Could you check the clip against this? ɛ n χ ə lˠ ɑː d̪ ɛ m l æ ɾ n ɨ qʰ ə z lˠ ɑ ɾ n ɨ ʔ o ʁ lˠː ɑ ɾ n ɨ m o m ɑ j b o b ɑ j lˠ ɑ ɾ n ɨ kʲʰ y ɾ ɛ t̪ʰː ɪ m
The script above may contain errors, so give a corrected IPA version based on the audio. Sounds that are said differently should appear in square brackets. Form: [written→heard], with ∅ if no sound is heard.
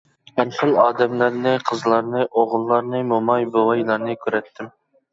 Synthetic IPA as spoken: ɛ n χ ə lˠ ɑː d̪ ɛ m l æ ɾ n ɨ qʰ ə z lˠ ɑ ɾ n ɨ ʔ o ʁ lˠː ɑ ɾ n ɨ m o m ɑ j b o [b→w] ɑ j lˠ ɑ ɾ n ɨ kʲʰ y ɾ ɛ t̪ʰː ɪ m